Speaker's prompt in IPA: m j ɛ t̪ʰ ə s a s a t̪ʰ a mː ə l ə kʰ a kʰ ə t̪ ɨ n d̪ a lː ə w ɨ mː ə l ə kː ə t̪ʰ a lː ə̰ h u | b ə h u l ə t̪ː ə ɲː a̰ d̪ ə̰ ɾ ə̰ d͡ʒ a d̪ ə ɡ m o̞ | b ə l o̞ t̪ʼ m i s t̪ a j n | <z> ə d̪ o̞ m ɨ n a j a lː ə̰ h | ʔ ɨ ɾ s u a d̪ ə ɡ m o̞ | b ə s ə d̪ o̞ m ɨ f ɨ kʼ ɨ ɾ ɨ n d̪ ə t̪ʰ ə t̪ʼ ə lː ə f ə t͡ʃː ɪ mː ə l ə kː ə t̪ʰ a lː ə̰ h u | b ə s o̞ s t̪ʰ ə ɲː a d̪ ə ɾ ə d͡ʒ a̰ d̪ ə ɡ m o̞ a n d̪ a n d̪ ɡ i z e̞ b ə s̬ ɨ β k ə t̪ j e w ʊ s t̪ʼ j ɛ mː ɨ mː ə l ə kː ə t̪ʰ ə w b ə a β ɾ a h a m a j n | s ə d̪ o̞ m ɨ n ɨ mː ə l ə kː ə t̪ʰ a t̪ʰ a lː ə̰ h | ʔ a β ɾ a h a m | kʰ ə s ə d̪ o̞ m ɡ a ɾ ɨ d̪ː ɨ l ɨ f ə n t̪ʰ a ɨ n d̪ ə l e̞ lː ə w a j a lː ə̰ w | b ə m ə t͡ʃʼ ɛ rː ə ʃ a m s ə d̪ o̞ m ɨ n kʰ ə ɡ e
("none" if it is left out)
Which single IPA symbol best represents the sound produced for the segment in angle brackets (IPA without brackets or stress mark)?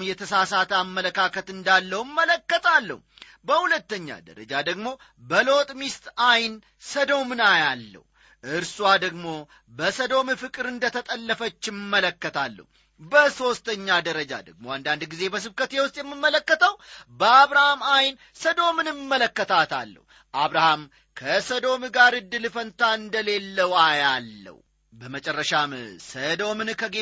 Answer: s